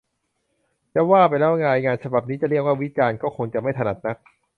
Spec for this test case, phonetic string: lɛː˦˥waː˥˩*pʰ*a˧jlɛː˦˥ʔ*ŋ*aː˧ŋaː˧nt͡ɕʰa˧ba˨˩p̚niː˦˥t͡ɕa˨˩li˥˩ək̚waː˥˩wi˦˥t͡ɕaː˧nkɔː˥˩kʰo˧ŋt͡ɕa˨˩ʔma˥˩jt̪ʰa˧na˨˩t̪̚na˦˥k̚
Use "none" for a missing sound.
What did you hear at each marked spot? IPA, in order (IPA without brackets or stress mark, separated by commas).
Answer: p, ŋ